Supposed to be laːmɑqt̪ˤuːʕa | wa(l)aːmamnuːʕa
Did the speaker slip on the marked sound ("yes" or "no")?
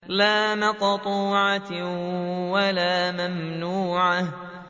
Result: no